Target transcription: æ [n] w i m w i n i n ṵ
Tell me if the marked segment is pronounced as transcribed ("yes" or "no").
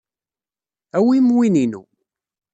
no